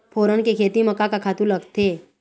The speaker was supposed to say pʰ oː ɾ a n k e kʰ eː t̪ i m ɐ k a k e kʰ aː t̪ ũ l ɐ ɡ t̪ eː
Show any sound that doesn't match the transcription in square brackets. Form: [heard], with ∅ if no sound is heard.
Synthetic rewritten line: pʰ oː ɾ [ə] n k e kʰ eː t̪ i m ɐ k a k [a] kʰ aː t̪ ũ l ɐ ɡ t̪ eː

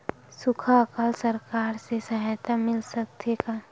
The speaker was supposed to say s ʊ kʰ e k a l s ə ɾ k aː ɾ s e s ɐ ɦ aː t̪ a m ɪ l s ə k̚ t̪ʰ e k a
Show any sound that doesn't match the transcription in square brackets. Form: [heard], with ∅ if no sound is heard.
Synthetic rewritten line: s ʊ kʰ [a] k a l s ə ɾ k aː ɾ s e s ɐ ɦ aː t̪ a m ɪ l s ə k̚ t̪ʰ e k a

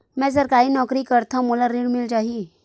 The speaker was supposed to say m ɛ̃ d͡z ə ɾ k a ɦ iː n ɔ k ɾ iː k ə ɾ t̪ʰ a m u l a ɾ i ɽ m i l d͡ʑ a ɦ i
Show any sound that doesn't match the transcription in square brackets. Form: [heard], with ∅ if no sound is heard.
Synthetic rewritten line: m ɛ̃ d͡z ə ɾ k a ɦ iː n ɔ k ɾ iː k ə ɾ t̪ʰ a m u l a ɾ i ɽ m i l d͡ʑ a ɦ i

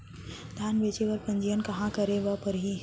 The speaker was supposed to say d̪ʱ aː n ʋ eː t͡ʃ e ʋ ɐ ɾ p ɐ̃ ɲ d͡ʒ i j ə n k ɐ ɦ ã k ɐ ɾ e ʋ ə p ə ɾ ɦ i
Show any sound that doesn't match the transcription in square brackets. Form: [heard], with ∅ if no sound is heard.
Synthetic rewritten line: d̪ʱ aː n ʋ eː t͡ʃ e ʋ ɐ ɾ p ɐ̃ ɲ d͡ʒ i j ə n k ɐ ɦ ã k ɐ ɾ e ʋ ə p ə ɾ ɦ i

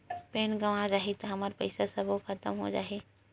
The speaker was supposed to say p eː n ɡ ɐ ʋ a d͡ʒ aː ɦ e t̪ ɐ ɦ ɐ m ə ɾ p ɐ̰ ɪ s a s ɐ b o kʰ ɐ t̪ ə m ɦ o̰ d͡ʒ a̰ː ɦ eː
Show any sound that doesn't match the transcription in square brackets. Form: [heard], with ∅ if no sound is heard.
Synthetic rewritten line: p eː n ɡ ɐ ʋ a d͡ʒ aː ɦ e t̪ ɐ ɦ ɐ m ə ɾ p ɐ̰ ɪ s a s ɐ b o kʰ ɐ t̪ ə m ɦ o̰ d͡ʒ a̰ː ɦ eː

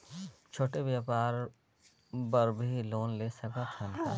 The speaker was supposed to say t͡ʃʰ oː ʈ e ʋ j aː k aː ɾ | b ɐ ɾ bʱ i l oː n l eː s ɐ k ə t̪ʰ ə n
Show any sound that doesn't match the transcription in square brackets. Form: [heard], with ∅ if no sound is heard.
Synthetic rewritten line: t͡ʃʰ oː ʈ e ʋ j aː [p] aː ɾ | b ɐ ɾ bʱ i l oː n l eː s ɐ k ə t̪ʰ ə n

